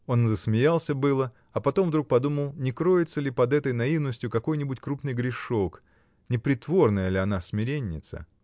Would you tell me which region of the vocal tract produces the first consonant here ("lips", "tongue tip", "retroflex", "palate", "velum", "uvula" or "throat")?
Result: tongue tip